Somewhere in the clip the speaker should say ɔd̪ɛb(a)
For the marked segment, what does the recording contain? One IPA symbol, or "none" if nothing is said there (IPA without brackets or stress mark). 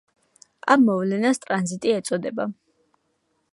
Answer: a